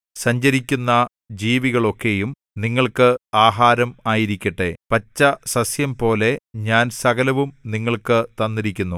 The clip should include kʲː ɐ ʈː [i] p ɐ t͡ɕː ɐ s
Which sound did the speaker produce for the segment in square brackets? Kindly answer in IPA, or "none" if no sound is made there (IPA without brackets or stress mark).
e